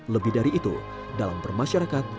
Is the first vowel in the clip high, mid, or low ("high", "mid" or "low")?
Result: mid